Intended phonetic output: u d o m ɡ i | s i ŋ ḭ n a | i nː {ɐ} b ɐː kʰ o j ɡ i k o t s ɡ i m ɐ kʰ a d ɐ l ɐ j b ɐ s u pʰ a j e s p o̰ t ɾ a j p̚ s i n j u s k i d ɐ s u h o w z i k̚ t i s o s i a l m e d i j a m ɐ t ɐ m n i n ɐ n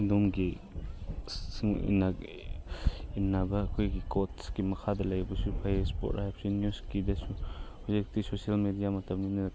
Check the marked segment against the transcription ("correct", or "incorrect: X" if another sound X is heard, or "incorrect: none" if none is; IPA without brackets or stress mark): incorrect: a